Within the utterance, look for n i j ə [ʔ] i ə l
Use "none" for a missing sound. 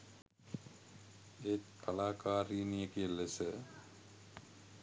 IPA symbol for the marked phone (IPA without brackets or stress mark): k